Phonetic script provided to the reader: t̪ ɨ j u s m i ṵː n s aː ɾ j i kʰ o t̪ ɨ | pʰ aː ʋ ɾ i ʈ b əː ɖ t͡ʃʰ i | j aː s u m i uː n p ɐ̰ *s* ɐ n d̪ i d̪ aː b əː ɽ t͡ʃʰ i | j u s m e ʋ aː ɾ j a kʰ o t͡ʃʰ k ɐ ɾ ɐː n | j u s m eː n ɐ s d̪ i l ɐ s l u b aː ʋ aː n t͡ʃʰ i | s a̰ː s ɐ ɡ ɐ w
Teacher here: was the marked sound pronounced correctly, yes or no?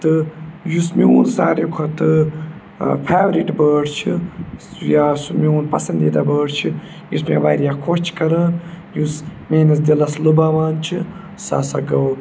yes